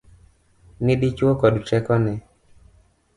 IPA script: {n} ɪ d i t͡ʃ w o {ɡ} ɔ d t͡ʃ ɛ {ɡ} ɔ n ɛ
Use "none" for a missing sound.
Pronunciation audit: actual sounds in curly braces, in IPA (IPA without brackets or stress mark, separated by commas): n, k, k